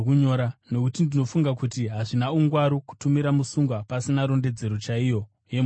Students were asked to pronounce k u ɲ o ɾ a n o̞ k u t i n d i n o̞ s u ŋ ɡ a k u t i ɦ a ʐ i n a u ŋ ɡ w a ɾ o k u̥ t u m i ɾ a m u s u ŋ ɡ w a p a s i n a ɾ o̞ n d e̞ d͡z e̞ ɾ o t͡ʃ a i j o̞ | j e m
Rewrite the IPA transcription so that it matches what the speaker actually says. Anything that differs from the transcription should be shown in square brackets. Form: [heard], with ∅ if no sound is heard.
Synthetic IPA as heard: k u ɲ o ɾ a n o̞ k u t i n d i n o̞ [f] u ŋ ɡ a k u t i ɦ a ʐ i n a u ŋ ɡ w a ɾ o k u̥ t u m i ɾ a m u s u ŋ ɡ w a p a s i n a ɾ o̞ n d e̞ d͡z e̞ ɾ o t͡ʃ a i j o̞ | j e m